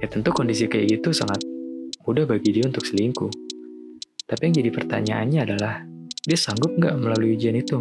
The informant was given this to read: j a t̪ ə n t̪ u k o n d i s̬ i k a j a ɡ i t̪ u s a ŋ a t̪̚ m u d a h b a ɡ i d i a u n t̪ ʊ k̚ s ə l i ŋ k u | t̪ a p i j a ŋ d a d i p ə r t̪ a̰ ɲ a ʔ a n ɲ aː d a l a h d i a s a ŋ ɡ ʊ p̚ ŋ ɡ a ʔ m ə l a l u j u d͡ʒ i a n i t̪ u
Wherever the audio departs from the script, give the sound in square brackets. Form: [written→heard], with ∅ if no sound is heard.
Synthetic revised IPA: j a t̪ ə n t̪ u k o n d i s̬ i k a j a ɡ i t̪ u s a ŋ a t̪̚ m u d a h b a ɡ i d i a u n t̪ ʊ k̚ s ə l i ŋ k u | t̪ a p i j a ŋ [d→d͡ʒ] a d i p ə r t̪ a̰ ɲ a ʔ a n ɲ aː d a l a h d i a s a ŋ ɡ ʊ p̚ ŋ ɡ a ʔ m ə l a l u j u d͡ʒ i a n i t̪ u